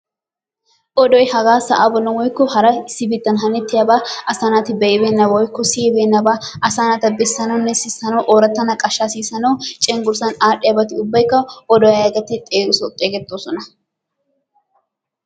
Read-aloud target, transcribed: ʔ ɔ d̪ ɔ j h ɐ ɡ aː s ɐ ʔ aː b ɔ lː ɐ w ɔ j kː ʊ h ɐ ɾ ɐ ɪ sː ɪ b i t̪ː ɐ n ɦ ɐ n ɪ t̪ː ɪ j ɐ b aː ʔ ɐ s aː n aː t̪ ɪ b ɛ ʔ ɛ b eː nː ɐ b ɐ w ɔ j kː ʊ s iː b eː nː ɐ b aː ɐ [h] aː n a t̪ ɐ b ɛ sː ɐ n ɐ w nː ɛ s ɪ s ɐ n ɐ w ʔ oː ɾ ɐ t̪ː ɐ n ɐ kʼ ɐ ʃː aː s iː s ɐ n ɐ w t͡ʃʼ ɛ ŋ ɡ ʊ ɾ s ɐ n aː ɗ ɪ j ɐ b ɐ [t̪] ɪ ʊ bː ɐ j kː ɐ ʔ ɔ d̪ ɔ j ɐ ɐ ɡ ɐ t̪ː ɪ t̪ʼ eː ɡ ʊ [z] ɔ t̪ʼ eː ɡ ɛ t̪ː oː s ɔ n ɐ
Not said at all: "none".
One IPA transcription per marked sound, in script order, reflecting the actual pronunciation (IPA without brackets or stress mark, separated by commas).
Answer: s, t̪, s